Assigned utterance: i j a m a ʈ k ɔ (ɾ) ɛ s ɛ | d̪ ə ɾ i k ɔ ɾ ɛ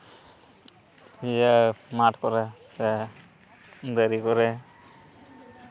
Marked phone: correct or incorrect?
correct